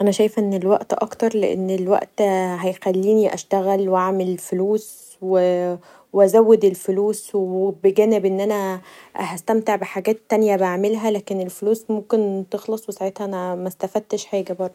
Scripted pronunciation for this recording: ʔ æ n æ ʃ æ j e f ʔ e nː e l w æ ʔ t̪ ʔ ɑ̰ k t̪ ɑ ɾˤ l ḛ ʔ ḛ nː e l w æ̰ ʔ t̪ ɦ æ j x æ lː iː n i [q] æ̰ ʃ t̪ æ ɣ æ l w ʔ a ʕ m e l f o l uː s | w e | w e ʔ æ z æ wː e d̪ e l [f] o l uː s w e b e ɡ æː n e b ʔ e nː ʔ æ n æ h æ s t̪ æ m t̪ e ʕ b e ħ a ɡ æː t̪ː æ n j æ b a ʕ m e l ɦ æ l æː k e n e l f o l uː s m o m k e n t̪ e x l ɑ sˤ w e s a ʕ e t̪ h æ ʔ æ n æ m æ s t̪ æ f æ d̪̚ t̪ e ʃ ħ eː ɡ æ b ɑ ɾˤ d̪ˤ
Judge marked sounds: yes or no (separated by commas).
no, yes